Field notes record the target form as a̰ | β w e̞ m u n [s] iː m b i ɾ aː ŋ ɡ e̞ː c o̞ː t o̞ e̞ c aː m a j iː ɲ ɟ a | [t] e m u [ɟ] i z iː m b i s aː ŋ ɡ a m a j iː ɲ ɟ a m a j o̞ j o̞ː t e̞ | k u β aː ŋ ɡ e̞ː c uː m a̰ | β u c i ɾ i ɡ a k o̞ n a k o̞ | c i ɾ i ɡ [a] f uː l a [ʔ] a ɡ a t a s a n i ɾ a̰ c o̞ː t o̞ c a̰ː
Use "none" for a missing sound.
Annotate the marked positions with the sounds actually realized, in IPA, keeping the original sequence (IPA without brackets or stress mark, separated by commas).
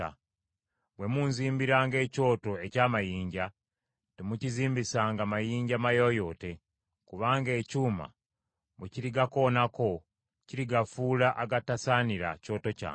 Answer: z, t, c, a, ʔ